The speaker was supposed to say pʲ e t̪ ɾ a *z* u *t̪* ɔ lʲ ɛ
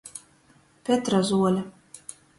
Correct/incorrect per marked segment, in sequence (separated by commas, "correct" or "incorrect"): correct, incorrect